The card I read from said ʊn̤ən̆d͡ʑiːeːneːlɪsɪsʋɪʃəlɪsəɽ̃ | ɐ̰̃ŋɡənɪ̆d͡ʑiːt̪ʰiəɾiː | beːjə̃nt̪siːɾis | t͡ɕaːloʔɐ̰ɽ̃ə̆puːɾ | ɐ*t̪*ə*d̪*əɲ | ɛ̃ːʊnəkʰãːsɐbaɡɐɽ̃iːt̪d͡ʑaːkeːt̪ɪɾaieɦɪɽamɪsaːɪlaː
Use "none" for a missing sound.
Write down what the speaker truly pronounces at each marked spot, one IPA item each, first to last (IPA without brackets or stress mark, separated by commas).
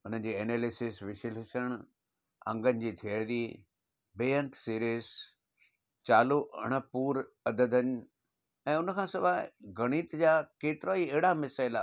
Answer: d̪, d̪